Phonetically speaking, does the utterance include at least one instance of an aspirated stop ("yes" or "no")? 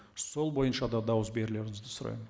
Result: no